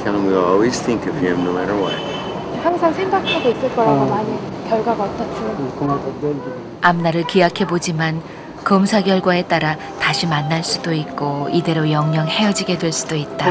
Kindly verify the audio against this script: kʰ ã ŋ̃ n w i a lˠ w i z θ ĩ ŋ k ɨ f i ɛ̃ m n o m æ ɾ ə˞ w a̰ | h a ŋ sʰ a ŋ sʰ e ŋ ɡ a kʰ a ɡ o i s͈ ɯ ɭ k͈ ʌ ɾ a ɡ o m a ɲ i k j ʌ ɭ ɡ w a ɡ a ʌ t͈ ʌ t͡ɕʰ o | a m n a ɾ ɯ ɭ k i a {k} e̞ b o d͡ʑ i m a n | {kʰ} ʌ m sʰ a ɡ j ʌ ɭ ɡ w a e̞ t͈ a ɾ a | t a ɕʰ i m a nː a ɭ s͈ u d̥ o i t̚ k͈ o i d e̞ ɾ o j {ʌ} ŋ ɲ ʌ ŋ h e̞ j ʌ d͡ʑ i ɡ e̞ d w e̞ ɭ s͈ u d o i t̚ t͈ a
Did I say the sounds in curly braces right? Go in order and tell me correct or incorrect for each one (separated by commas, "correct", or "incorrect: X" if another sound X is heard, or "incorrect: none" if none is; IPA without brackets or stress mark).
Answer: incorrect: kʰ, incorrect: k, correct